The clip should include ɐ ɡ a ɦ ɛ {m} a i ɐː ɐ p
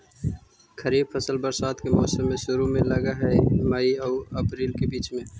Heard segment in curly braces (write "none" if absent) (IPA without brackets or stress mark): m